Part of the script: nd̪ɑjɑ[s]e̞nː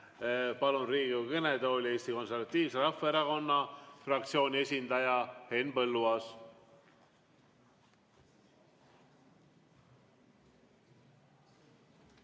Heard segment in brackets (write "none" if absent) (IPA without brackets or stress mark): h